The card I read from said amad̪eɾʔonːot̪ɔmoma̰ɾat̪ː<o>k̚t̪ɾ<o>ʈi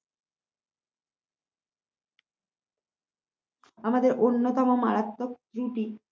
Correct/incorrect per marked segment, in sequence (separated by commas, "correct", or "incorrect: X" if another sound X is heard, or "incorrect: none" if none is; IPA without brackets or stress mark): correct, incorrect: u